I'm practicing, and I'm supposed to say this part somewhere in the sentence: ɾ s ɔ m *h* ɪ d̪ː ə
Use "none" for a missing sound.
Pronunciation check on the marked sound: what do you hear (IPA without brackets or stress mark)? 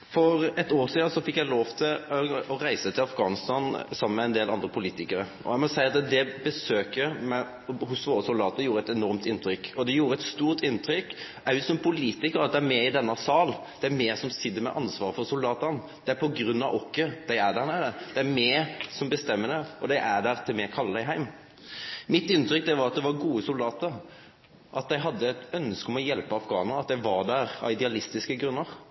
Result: s